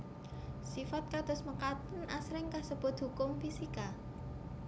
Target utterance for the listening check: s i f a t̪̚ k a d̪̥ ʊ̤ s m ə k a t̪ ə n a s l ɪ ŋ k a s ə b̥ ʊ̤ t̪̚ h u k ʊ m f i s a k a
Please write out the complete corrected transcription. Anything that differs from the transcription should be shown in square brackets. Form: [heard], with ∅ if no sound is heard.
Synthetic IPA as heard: s i f a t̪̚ k a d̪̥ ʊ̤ s m ə k a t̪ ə n a s [ɾ] ɪ ŋ k a s ə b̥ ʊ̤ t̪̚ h u k ʊ m f i s [i] k a

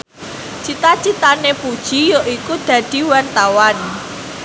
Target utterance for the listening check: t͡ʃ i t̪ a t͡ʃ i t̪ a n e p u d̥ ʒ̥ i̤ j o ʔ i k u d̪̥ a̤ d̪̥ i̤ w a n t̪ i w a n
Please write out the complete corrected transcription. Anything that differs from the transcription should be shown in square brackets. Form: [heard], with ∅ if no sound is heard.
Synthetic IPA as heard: t͡ʃ i t̪ a t͡ʃ i t̪ a n e p u d̥ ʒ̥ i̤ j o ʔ i k u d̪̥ a̤ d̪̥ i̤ w a n t̪ [a] w a n

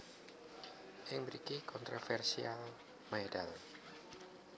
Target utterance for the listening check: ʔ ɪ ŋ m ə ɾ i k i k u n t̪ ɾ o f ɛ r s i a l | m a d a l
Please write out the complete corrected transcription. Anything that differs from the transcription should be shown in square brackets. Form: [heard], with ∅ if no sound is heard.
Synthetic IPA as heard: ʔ ɪ ŋ m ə ɾ i k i k [ɔ] n t̪ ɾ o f ɛ r s i a l | m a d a l

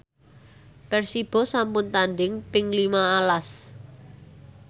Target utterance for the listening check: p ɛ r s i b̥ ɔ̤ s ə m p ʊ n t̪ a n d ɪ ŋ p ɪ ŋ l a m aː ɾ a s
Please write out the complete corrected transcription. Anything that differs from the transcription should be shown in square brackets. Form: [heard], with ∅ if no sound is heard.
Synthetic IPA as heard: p ɛ r s i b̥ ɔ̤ s [a] m p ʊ n t̪ a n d ɪ ŋ p ɪ ŋ l [i] m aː [l] a s

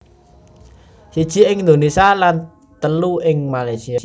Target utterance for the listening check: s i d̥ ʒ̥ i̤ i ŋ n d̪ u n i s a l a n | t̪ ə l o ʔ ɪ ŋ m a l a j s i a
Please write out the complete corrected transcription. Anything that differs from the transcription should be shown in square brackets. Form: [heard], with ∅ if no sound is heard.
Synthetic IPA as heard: s i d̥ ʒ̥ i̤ [ɪ] ŋ n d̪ [o] n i s a l a n | t̪ ə l [u] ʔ ɪ ŋ m a l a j s i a

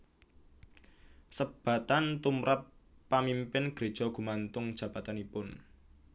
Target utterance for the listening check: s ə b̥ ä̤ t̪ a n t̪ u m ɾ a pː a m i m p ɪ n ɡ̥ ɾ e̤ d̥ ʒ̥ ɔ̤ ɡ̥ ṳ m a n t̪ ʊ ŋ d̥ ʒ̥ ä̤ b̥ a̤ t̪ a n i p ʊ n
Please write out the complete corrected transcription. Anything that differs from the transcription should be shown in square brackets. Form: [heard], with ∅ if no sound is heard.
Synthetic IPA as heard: s ə b̥ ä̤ t̪ a n t̪ u m ɾ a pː a m i m p ɪ n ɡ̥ ɾ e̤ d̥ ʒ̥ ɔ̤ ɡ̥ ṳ m a n t̪ ʊ ŋ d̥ ʒ̥ ä̤ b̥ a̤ t̪ a n i p ʊ n

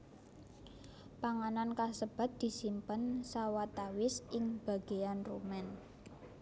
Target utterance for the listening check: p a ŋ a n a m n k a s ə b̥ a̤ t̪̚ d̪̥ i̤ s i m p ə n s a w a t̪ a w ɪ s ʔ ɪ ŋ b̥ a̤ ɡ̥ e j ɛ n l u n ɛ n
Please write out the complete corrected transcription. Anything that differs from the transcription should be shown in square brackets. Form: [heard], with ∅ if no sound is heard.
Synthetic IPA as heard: p a ŋ a n a [∅] n k a s ə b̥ a̤ t̪̚ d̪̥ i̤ s i m p ə n s a w a t̪ a w ɪ s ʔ ɪ ŋ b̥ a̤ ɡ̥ e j [a] n [r] u [m] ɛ n

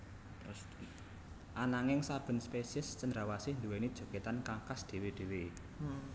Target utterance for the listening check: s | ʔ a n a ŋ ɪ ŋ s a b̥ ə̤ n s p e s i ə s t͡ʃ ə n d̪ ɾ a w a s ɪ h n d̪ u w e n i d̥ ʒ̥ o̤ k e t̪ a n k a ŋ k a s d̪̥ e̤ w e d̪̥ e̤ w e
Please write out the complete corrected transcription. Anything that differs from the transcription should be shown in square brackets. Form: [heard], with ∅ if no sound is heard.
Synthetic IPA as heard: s | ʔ a n a ŋ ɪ ŋ s a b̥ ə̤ n s p e s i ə s t͡ʃ ə n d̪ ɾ a w a s ɪ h n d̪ u w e n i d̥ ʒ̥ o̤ k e t̪ a n k a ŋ k a s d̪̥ e̤ w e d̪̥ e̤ w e

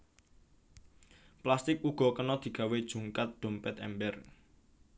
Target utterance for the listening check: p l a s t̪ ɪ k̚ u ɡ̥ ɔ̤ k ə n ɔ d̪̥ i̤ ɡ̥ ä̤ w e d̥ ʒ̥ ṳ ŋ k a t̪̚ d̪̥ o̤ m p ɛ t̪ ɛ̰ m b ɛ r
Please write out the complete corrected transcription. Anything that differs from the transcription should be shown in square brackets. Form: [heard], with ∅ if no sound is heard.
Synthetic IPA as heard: p l a s t̪ ɪ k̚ u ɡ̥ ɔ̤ k ə n ɔ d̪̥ i̤ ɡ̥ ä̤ w e d̥ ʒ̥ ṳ ŋ k a t̪̚ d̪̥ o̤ m p ɛ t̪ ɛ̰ m b ɛ r

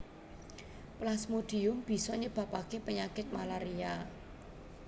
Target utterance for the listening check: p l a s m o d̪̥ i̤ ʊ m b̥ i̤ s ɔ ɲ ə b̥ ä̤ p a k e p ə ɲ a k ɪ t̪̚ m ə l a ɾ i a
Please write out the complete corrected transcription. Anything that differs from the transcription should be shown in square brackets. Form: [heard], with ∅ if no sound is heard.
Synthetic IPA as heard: p l a s m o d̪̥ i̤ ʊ m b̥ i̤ s ɔ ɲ ə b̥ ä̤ p a k e p ə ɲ a k ɪ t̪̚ m [a] l a ɾ i a

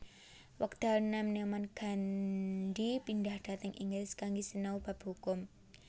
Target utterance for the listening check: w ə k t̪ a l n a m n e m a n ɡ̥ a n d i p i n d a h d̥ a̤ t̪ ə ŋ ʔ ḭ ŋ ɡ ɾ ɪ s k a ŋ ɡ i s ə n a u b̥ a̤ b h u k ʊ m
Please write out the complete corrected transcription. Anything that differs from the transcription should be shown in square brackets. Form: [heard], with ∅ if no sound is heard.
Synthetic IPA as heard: w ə k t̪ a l n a m n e m a n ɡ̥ a n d i p i n d a h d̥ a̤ t̪ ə ŋ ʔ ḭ ŋ ɡ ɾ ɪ s k a ŋ ɡ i s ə n a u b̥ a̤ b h u k ʊ m

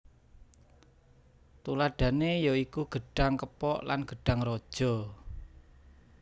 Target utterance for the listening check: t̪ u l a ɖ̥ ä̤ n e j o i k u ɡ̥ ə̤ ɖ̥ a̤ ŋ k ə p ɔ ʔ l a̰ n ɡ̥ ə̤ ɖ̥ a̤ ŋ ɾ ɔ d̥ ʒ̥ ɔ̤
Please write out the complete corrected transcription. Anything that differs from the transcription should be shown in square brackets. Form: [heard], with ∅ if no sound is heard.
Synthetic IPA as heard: t̪ u l a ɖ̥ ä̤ n e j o i k u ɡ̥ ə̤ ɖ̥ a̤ ŋ k ə p ɔ ʔ l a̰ n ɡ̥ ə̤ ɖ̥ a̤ ŋ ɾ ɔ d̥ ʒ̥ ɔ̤

